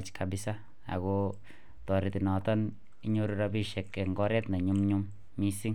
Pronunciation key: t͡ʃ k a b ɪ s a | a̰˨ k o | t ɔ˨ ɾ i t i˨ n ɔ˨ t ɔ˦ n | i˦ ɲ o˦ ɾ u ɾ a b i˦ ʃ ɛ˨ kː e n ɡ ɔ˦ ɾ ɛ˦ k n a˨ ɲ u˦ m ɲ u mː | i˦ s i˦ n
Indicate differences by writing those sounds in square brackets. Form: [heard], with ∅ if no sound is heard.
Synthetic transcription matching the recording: t͡ʃ k a b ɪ s a | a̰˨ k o | t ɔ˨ ɾ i t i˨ n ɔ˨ t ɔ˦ n | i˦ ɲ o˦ ɾ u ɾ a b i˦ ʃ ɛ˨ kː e [ŋ] ɡ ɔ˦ ɾ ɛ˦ [t] n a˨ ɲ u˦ m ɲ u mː | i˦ s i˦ [ŋ]

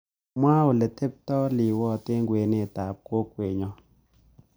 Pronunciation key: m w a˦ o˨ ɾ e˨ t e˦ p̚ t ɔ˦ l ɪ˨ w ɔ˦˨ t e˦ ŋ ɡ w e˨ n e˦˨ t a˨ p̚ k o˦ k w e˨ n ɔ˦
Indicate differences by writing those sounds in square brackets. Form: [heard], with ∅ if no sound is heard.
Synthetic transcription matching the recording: m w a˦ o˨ [l] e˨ t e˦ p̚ t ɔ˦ l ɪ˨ w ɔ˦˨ t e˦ ŋ ɡ w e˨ n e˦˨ t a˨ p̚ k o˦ k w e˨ [ɲ] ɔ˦

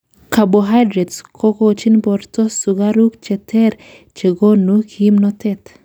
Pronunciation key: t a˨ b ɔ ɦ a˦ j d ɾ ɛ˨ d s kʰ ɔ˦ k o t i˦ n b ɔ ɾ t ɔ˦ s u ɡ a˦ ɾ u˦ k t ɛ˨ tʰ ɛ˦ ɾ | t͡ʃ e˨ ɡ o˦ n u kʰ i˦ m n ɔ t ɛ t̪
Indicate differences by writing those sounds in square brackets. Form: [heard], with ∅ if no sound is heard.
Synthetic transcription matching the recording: [k] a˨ b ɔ ɦ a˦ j d ɾ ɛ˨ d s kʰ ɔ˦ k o [t͡ʃ] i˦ n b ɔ ɾ t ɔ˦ s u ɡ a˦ ɾ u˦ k [t͡ʃ] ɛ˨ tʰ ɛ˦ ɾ | t͡ʃ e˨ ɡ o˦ n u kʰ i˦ m n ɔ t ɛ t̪

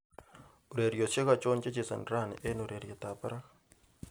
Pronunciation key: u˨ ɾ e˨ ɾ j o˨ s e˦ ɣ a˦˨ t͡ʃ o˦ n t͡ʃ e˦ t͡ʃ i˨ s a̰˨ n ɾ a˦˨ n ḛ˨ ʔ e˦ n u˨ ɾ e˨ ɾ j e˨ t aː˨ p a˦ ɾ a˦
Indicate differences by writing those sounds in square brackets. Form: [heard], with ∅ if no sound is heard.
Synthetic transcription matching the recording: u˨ ɾ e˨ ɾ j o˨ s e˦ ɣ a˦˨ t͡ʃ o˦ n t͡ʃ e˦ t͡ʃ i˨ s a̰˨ n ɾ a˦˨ n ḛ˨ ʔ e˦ n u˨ ɾ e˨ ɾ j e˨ t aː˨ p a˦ ɾ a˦

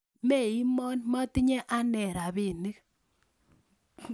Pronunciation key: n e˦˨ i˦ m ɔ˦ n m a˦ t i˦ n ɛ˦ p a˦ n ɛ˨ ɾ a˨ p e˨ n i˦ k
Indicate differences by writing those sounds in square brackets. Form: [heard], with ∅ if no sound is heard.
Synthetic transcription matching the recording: [m] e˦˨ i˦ m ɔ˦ n m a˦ t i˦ [ɲ] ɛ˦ [ʔ] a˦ n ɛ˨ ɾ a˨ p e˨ n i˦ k

